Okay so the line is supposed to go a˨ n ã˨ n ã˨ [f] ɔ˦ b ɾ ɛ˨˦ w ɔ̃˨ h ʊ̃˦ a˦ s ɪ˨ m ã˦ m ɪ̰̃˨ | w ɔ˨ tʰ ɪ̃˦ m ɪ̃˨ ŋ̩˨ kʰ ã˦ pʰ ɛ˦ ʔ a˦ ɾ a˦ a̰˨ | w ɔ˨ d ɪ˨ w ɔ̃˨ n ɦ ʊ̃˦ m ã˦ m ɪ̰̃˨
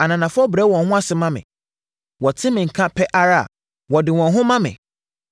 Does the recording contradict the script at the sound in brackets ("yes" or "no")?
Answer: no